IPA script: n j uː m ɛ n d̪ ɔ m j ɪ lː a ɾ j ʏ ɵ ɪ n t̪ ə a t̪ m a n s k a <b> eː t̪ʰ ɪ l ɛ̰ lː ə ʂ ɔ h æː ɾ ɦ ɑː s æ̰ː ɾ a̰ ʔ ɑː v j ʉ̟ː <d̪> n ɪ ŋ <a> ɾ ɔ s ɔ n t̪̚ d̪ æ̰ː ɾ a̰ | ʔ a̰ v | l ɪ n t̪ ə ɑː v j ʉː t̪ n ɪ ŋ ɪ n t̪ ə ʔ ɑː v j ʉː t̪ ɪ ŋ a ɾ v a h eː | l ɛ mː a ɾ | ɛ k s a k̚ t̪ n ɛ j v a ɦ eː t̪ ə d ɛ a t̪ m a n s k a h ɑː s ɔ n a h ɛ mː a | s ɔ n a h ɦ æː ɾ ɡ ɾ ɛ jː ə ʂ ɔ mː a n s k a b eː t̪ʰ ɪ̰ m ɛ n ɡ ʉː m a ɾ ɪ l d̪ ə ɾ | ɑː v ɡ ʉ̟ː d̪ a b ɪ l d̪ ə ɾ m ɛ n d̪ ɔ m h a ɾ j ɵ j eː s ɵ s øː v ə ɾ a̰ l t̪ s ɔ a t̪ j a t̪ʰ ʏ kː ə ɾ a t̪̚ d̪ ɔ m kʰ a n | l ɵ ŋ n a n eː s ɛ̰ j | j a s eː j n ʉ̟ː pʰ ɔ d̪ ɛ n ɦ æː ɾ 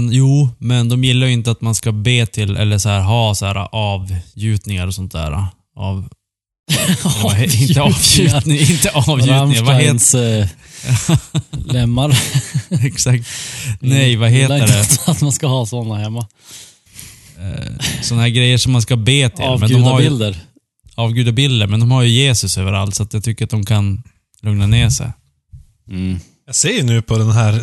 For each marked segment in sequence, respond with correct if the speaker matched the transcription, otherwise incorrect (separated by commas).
correct, incorrect, correct